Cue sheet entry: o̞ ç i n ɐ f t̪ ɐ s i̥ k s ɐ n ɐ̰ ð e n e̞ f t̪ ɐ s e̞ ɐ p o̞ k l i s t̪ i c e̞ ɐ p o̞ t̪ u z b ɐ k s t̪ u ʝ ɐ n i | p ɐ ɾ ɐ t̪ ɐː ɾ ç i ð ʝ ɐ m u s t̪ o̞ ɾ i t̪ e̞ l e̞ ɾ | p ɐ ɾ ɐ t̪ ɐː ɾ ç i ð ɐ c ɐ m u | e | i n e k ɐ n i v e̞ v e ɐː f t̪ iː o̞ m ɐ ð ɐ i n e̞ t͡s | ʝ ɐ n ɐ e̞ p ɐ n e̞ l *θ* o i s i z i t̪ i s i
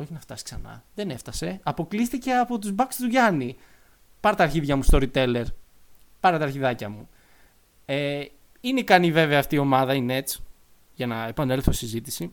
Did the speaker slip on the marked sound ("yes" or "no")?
no